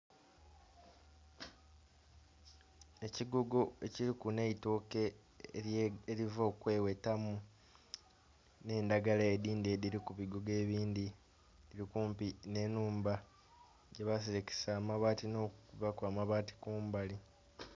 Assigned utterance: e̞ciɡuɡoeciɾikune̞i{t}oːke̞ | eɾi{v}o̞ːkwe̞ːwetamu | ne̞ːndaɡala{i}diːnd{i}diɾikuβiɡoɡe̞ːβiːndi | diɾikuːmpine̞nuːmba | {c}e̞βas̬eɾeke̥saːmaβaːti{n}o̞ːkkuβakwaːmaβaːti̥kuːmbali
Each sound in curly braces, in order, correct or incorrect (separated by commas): correct, correct, incorrect, incorrect, incorrect, correct